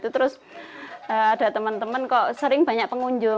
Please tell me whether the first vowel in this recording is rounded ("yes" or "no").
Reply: yes